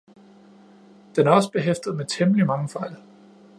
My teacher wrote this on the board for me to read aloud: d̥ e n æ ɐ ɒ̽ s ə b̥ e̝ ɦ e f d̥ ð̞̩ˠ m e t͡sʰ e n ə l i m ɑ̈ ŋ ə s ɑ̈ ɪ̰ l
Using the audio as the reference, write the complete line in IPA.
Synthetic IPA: d̥ e n æ ɐ ɒ̽ s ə b̥ e̝ ɦ e f d̥ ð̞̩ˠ m e t͡sʰ e m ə l i m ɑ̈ ŋ ə f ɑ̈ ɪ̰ l